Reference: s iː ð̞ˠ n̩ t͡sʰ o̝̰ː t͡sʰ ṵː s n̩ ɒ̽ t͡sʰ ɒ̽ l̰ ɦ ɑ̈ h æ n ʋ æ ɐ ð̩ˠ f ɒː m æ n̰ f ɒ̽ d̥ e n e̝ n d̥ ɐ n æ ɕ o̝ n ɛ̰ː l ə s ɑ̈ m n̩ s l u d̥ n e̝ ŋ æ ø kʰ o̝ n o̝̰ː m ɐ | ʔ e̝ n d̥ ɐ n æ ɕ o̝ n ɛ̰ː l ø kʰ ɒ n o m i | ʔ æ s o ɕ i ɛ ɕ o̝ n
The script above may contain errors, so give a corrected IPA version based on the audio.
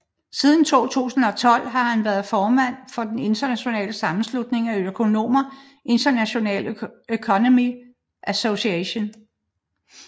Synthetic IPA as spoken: s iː ð̞ˠ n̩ t͡sʰ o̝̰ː t͡sʰ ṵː s n̩ ɒ̽ t͡sʰ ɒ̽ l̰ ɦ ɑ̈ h æ n ʋ æ ɐ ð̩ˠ f ɒː m æ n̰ f ɒ̽ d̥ e n e̝ n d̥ ɐ n æ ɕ o̝ n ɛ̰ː l ə s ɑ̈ m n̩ s l u d̥ n e̝ ŋ æ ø kʰ o̝ n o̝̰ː m ɐ | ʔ e̝ n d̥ ɐ n æ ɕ o̝ n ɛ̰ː l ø kʰ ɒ n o m i | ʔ æ s o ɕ i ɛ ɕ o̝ n